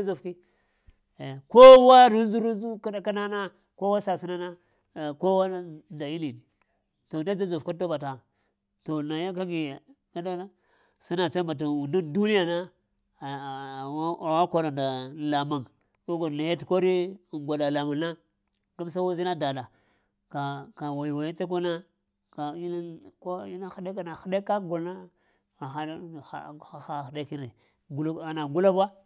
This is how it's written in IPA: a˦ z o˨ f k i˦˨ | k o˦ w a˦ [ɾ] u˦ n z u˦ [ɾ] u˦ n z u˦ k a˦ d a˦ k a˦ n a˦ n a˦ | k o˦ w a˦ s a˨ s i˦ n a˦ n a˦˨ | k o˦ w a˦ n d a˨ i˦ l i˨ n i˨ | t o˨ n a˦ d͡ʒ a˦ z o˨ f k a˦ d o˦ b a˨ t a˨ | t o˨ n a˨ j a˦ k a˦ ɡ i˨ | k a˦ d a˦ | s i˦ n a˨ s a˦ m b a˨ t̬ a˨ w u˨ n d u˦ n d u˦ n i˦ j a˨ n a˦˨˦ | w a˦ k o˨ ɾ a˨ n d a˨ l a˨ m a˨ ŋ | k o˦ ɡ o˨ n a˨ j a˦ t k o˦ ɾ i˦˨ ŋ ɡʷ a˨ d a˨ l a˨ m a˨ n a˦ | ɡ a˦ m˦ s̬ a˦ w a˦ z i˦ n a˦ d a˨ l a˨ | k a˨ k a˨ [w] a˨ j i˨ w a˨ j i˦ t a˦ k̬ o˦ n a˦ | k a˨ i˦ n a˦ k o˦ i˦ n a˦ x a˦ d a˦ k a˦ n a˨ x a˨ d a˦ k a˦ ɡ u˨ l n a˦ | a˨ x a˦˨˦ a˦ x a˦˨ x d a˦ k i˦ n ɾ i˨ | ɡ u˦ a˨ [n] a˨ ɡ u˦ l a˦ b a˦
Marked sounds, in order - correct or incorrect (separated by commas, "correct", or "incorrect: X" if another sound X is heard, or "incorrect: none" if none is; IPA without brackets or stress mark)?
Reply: correct, correct, correct, correct